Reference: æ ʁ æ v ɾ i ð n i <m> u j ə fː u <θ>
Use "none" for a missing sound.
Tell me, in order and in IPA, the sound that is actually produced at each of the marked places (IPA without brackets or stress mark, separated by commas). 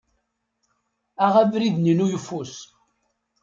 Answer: n, s